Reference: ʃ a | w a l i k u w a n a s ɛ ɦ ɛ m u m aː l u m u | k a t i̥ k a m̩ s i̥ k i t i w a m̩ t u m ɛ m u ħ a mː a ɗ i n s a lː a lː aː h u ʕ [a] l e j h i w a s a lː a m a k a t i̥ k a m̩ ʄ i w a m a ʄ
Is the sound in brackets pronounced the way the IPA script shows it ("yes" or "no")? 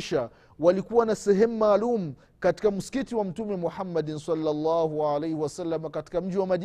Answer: yes